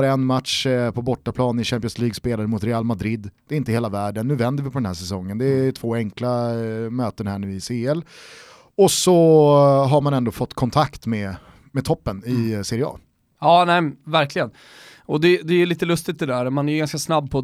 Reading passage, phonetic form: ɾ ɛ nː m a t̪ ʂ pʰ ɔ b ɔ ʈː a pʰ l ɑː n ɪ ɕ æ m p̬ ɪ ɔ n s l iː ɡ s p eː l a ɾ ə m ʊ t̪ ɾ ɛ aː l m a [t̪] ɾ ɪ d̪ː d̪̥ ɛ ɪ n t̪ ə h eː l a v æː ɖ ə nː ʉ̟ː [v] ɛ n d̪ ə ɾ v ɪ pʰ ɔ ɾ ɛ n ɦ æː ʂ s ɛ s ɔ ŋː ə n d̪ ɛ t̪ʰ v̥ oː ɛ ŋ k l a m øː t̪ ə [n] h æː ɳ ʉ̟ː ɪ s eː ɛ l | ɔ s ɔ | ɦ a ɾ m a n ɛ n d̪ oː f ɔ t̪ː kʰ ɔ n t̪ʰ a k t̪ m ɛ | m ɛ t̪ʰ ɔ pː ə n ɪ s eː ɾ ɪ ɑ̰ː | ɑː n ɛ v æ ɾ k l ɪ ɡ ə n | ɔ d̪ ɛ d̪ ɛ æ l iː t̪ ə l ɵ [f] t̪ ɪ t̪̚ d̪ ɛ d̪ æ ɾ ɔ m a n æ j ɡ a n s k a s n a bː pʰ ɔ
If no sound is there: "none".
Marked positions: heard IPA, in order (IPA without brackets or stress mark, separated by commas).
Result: d̪, v, n, s